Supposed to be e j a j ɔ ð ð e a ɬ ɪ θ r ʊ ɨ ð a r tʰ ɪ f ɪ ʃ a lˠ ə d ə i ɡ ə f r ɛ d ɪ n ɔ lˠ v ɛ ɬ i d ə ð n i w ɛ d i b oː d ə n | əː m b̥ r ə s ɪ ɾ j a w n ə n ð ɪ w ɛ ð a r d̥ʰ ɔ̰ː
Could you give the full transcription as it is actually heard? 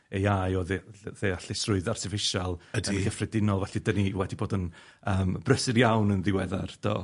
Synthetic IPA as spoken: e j a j ɔ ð ð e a ɬ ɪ s r ʊ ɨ ð a r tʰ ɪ f ɪ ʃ a lˠ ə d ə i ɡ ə f r ɛ d ɪ n ɔ lˠ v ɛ ɬ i d ə n i w ɛ d i b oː d ə n | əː m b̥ r ə s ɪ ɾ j a w n ə n ð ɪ w ɛ ð a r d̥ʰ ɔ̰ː